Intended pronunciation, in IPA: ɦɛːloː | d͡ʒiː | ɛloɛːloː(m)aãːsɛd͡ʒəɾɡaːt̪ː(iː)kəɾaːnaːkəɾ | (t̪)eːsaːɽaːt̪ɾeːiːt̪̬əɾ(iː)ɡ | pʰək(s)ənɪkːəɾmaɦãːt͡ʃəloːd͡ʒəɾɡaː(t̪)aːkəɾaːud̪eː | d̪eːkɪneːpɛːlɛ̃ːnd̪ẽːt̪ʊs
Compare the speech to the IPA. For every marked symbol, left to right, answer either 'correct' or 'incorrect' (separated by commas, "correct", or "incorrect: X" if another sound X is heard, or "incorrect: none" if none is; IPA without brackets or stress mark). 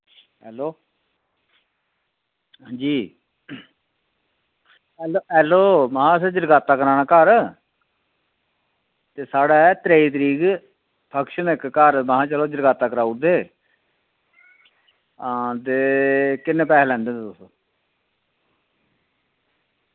correct, incorrect: aː, correct, correct, incorrect: ʃ, correct